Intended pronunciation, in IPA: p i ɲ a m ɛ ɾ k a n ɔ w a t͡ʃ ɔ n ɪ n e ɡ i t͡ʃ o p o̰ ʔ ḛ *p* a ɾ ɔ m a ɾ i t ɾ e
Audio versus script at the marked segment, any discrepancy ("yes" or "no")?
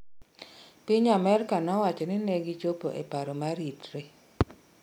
no